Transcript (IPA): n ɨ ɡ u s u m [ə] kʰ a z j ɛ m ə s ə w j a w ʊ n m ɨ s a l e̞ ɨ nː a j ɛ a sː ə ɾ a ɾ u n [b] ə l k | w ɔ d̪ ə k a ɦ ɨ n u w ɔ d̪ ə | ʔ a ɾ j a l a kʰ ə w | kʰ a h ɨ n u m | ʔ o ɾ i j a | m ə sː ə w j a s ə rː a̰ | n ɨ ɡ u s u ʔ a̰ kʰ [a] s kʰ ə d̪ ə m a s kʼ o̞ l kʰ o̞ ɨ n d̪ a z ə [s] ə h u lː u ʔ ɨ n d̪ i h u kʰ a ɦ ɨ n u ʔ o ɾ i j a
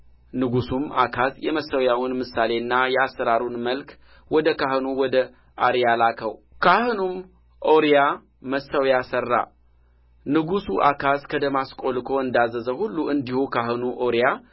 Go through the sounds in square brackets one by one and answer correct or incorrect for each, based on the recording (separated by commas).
incorrect, incorrect, correct, incorrect